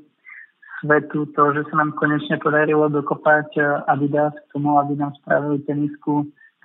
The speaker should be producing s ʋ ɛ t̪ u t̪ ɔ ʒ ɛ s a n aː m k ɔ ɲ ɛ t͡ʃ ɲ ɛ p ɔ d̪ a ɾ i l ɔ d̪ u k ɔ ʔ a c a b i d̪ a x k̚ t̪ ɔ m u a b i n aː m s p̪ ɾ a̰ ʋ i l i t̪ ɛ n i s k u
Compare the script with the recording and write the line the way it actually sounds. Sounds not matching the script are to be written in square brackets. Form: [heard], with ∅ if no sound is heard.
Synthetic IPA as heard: s ʋ ɛ t̪ u t̪ ɔ ʒ ɛ s a n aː m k ɔ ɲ ɛ t͡ʃ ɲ ɛ p ɔ d̪ a ɾ i l ɔ d̪ [ɔ] k ɔ [p] a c a b i d̪ a [s] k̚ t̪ ɔ m u a b i n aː m s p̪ ɾ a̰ ʋ i l i t̪ ɛ n i s k u